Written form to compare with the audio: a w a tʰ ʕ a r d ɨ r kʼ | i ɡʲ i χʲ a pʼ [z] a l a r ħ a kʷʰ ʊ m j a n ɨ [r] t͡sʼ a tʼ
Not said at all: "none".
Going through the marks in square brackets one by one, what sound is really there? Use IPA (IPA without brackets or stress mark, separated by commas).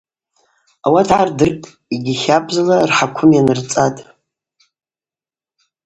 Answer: z, r